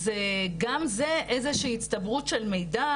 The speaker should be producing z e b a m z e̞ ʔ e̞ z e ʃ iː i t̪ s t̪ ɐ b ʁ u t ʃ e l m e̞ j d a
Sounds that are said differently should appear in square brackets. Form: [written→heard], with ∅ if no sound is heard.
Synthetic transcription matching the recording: z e [b→ɡ] a m z e̞ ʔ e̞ z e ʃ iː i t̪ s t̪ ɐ b ʁ u t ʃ e l m e̞ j d a